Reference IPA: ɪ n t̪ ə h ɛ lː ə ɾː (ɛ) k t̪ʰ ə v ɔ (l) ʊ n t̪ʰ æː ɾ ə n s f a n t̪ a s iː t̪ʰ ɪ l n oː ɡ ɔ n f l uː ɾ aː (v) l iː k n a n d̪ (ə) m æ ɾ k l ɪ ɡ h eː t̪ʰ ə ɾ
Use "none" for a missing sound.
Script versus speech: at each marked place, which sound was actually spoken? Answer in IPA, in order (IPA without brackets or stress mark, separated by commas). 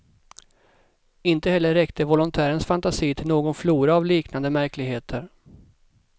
ɛ, l, v, ə